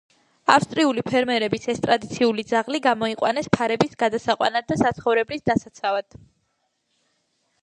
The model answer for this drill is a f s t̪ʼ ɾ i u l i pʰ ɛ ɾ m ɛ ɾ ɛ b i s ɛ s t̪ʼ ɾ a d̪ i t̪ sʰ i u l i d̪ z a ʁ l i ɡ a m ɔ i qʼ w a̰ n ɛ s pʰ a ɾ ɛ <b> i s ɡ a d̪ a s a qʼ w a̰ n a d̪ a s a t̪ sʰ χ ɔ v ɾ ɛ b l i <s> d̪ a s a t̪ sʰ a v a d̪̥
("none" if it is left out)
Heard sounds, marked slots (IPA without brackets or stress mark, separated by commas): b, s